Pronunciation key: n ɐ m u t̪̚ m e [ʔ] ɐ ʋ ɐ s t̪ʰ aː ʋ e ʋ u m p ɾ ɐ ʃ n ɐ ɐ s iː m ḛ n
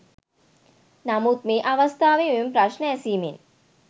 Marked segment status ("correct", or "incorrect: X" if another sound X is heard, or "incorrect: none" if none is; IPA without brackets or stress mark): correct